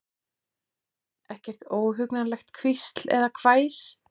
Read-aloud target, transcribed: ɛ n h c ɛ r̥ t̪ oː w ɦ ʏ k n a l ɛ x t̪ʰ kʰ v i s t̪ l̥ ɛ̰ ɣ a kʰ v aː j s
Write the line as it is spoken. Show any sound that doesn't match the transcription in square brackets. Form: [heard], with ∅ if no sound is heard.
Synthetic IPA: ɛ [∅] h c ɛ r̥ t̪ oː w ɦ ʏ k n a l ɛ x [t̪] kʰ v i s t̪ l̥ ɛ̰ [ð] a kʰ v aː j s